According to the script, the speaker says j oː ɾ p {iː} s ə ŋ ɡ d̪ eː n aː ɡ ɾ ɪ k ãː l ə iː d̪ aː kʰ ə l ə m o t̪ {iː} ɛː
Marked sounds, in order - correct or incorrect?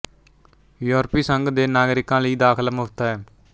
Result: correct, incorrect

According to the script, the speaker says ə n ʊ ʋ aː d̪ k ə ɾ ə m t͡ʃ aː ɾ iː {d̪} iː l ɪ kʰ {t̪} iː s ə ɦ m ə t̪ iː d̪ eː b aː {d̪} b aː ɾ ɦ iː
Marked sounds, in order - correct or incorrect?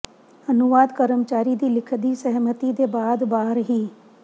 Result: correct, incorrect, correct

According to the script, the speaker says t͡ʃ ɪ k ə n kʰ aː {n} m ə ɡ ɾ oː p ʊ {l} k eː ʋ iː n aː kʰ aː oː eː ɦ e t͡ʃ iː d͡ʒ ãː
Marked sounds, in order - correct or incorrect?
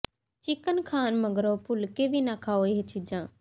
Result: correct, correct

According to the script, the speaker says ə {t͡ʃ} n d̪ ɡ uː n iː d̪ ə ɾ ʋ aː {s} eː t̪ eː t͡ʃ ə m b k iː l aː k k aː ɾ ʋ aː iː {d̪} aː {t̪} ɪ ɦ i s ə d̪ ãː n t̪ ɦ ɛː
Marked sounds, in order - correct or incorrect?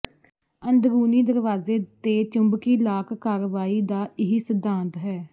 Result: incorrect, incorrect, correct, incorrect

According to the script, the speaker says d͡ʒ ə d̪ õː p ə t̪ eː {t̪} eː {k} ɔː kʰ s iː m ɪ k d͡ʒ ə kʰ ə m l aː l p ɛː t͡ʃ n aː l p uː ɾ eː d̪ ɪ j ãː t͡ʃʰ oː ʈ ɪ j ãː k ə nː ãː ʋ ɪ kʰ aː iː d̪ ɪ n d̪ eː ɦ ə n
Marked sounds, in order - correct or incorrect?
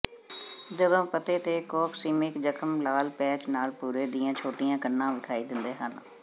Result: correct, correct

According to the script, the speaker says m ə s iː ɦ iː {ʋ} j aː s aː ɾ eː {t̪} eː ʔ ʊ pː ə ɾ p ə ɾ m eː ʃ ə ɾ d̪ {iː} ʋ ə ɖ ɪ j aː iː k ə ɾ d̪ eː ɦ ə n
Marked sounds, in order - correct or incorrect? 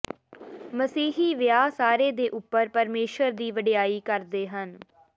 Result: correct, incorrect, correct

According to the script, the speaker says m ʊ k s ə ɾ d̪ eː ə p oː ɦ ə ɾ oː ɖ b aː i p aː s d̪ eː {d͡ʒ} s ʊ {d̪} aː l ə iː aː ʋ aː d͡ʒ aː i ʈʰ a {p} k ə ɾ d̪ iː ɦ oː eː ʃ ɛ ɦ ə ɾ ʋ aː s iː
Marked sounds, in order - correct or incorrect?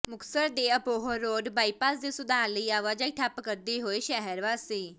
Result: incorrect, correct, correct

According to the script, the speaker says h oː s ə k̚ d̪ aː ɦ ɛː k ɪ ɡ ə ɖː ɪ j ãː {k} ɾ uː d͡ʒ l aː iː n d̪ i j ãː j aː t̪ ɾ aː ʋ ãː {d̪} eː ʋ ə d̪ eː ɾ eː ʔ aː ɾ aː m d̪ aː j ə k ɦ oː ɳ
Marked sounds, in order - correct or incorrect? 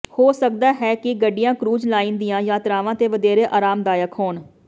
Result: correct, incorrect

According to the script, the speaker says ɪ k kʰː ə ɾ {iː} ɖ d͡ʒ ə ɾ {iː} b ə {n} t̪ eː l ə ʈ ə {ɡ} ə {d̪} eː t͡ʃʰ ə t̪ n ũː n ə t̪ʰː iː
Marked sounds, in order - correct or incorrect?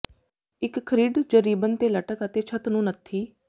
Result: correct, correct, correct, incorrect, incorrect

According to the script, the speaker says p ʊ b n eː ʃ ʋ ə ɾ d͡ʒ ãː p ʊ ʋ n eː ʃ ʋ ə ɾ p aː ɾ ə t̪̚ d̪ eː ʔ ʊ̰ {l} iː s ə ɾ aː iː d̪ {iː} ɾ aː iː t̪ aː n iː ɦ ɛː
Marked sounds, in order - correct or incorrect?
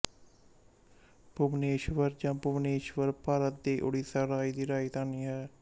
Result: incorrect, correct

